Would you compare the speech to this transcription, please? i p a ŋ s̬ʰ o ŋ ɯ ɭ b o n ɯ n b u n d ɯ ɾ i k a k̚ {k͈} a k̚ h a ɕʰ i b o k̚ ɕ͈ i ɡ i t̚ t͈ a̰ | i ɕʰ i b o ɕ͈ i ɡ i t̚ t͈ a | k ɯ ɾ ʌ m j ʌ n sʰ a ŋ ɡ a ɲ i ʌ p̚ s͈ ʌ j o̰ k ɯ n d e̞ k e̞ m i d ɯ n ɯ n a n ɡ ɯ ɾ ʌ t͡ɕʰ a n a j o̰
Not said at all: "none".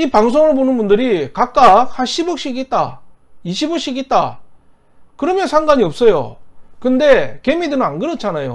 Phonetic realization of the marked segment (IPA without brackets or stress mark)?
k͈